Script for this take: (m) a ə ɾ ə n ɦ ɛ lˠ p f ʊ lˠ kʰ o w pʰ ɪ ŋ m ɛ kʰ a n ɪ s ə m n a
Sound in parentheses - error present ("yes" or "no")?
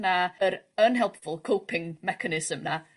yes